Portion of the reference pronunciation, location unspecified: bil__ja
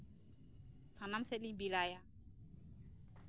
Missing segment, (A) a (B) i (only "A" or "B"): A